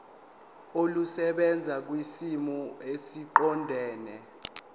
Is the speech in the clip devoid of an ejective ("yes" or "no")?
yes